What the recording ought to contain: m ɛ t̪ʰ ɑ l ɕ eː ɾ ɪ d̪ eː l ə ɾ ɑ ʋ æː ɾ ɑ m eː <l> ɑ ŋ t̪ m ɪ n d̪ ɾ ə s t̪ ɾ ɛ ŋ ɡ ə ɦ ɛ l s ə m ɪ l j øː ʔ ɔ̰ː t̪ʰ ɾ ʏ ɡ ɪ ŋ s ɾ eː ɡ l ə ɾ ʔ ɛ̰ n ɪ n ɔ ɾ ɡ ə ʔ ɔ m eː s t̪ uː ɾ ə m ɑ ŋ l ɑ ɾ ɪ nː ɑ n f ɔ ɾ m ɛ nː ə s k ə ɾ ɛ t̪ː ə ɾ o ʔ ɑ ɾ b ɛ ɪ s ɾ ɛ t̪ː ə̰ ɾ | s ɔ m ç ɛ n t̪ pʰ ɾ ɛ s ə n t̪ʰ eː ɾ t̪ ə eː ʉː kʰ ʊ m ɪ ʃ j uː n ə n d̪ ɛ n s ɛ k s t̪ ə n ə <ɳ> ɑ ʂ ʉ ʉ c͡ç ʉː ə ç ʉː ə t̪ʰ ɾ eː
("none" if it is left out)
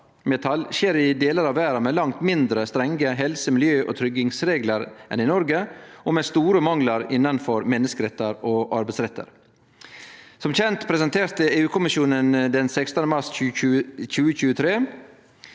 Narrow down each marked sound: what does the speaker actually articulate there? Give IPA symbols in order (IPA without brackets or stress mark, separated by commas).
l, m